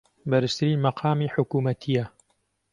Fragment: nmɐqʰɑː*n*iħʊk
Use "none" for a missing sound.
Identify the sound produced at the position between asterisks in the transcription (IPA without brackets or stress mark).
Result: m